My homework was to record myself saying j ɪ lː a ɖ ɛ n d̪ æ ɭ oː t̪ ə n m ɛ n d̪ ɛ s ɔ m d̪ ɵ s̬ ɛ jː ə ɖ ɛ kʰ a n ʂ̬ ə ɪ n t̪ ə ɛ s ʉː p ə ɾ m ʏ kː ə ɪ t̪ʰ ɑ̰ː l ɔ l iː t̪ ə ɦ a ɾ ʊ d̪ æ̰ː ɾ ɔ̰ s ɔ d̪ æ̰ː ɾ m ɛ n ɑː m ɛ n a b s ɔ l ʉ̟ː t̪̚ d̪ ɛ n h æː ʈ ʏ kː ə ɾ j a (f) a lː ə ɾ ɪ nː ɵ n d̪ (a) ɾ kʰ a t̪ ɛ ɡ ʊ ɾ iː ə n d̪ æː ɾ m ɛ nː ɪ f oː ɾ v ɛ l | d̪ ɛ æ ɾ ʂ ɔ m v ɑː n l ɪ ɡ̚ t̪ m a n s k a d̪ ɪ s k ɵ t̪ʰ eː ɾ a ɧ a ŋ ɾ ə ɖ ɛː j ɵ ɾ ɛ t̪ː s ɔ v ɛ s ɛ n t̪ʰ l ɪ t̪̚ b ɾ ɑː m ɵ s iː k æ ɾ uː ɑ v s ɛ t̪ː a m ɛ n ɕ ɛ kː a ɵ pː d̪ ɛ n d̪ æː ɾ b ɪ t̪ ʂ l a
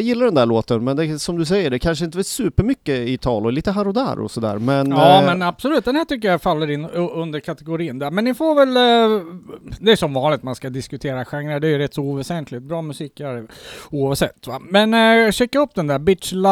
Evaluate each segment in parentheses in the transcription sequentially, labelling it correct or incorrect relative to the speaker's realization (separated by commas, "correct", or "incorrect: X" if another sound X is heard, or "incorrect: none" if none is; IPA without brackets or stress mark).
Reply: correct, incorrect: ə